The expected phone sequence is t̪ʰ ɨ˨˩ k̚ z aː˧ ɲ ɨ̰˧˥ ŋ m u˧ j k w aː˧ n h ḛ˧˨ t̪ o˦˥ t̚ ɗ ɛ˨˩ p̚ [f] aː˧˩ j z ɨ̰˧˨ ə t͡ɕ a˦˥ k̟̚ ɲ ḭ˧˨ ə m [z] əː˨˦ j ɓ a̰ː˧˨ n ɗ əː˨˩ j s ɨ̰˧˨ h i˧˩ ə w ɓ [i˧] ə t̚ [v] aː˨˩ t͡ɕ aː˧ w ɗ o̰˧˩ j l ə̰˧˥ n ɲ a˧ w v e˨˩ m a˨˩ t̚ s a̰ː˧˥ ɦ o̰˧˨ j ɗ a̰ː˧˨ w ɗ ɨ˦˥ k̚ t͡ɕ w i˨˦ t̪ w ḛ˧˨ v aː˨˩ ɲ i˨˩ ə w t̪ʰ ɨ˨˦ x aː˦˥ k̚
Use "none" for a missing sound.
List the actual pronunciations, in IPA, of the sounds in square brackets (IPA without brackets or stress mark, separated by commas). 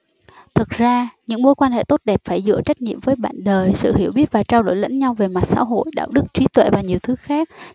f, v, i˦˥, v